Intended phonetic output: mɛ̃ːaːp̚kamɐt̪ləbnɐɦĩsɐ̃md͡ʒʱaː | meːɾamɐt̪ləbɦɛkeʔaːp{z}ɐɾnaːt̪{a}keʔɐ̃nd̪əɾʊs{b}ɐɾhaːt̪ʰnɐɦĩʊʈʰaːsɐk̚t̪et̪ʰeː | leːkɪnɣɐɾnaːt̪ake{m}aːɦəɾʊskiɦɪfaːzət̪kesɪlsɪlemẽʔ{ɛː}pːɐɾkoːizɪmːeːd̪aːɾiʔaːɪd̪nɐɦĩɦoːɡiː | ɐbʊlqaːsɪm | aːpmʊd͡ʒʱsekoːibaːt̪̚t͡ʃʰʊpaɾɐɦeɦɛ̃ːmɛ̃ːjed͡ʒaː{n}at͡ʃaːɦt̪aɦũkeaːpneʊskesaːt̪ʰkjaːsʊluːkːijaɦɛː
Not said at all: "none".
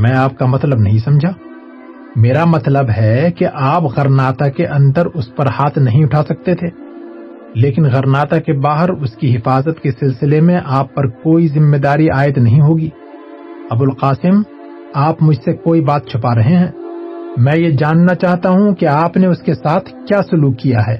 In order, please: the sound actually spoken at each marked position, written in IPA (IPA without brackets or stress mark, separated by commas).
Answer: ɣ, a, p, b, aː, nː